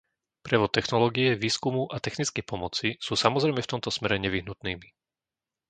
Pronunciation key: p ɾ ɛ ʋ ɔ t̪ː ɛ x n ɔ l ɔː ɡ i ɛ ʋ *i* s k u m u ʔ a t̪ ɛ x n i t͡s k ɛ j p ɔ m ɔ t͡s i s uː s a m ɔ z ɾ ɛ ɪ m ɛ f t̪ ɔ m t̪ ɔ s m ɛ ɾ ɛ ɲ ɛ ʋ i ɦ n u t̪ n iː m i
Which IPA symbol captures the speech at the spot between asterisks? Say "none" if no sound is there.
iː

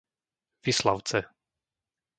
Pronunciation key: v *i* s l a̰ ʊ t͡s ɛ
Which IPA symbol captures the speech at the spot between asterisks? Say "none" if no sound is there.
i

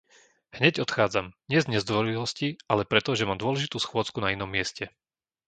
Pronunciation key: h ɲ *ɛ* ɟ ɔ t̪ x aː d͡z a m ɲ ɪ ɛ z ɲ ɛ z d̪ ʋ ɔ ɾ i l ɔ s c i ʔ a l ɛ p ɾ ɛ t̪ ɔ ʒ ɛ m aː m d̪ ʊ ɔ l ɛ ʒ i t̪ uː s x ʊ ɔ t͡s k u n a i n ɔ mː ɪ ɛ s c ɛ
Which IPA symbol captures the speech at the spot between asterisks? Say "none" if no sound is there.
ɛ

